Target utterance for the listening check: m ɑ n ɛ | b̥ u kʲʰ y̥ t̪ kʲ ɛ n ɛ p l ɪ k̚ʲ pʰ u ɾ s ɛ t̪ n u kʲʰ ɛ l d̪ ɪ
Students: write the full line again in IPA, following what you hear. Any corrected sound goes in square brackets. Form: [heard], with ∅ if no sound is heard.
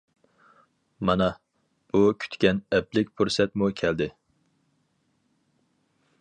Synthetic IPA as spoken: m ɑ n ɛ | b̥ u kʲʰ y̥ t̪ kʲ ɛ n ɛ p l ɪ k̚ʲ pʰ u ɾ s ɛ t̪ [m] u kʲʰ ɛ l d̪ ɪ